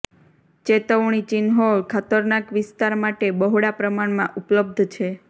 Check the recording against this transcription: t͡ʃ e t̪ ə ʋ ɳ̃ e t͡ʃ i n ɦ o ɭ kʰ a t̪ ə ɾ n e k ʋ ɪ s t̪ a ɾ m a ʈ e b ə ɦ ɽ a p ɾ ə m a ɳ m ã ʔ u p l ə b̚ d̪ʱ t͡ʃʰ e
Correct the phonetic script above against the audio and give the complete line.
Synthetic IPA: t͡ʃ e t̪ ə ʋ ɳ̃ i t͡ʃ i n ɦ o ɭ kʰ a t̪ ə ɾ n a k ʋ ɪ s t̪ a ɾ m a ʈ e b ə ɦ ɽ a p ɾ ə m a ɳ m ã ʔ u p l ə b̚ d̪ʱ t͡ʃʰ e